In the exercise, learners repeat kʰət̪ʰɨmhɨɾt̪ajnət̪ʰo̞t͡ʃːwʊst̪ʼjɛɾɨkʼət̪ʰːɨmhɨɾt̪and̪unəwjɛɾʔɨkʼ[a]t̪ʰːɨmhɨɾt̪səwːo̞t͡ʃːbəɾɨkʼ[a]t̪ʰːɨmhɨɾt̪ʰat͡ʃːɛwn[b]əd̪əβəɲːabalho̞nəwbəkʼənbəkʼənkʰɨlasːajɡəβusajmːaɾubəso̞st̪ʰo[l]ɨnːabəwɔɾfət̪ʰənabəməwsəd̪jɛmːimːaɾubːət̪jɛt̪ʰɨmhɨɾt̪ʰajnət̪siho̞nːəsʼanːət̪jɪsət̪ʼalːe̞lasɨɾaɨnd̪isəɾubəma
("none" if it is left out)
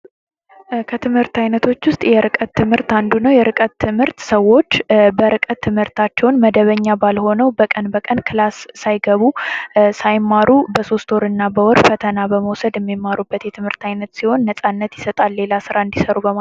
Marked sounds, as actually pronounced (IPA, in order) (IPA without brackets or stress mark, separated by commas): ə, ə, m, ɾ